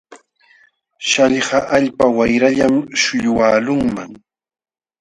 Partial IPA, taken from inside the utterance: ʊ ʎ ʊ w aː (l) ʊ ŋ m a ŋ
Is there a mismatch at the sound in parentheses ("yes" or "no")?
no